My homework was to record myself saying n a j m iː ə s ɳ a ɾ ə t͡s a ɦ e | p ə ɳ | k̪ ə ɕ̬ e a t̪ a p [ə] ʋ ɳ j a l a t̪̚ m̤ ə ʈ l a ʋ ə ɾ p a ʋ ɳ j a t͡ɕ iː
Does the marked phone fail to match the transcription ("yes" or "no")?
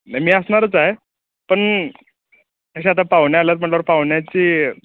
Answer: yes